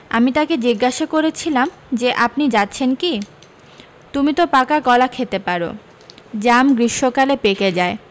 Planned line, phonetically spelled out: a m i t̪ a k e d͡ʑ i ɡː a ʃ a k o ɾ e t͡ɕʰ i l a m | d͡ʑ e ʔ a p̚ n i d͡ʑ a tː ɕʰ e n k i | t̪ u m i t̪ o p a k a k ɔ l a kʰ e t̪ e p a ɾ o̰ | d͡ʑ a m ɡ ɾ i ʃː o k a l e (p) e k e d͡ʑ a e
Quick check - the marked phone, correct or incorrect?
correct